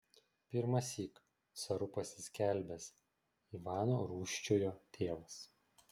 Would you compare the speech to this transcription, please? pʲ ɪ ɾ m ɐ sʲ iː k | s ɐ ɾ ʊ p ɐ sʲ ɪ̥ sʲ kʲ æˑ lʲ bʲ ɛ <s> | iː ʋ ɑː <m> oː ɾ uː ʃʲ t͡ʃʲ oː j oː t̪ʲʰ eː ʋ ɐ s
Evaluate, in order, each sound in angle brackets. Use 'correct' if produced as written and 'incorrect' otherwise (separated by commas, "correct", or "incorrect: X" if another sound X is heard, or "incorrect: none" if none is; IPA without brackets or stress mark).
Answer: correct, incorrect: n